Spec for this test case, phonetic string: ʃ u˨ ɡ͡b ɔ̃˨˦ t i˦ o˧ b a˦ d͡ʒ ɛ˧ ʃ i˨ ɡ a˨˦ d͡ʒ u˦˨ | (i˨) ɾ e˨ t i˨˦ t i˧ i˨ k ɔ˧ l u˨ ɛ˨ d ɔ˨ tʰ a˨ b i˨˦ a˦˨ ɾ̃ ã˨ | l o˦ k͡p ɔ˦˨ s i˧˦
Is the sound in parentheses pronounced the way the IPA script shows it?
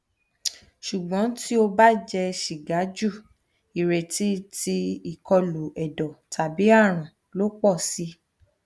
yes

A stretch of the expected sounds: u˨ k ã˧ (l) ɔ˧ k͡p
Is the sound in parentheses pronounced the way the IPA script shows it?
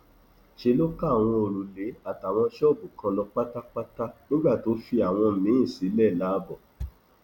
yes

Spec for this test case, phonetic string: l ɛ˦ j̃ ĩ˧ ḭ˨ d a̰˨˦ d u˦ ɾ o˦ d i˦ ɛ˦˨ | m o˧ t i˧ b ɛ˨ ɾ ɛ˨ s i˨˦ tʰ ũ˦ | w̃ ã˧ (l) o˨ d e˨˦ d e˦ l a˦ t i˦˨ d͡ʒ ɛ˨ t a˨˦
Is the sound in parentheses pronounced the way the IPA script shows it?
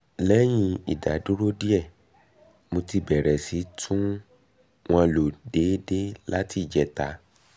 yes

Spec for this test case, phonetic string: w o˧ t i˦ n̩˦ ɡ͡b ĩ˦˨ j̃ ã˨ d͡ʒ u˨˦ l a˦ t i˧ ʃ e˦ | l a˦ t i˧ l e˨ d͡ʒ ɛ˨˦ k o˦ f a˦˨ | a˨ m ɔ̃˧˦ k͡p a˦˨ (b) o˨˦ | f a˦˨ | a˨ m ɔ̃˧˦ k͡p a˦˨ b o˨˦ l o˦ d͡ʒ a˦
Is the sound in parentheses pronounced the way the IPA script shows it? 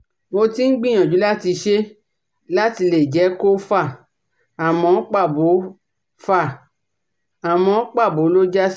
yes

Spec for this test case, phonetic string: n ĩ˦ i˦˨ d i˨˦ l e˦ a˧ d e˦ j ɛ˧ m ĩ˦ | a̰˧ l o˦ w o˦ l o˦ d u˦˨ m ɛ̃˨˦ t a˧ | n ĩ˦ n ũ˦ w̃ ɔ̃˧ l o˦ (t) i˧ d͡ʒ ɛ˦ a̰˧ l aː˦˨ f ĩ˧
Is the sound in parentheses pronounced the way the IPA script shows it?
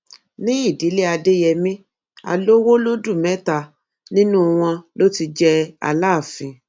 yes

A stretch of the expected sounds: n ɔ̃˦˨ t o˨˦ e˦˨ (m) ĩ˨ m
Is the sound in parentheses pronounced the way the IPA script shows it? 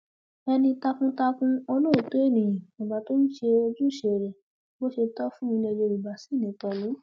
no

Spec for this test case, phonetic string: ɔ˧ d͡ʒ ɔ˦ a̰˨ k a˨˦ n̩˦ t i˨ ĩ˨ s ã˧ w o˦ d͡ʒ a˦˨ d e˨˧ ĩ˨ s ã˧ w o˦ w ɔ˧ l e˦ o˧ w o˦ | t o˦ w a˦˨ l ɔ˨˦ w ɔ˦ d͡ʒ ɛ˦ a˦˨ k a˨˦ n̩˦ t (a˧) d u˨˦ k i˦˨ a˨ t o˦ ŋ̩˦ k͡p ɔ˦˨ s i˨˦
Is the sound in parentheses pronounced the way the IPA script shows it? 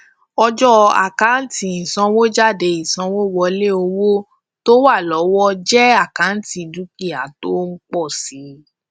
no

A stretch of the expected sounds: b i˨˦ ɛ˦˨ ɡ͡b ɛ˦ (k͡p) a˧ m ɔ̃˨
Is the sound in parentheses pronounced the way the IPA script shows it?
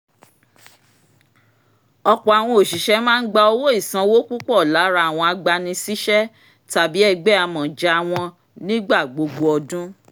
no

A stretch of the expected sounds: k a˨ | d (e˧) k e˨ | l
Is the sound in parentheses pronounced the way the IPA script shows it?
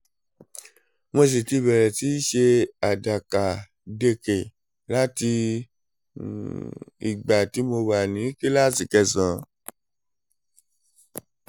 yes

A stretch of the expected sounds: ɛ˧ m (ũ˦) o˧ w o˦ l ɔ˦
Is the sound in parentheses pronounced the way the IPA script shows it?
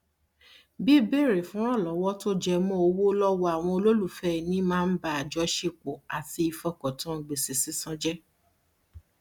no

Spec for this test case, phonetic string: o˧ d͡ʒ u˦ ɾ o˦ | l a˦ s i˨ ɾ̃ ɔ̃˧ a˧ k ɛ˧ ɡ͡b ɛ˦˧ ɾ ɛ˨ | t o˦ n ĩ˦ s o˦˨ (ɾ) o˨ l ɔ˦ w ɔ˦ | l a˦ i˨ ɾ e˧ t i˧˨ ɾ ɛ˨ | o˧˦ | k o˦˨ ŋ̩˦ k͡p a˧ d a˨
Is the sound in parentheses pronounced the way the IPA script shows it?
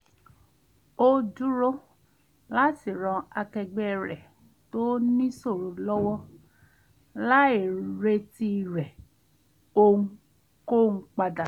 yes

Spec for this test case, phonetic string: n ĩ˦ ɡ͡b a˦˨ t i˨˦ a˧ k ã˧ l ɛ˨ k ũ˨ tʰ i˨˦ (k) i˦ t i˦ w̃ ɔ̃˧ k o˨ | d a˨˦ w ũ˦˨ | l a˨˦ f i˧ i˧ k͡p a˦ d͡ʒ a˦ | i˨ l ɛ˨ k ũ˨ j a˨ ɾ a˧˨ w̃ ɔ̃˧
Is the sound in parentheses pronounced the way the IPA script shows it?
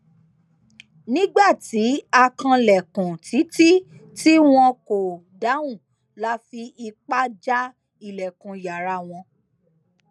no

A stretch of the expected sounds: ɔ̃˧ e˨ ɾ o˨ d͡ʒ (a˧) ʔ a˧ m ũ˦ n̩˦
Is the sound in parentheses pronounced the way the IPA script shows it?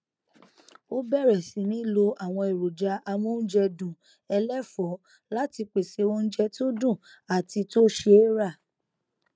yes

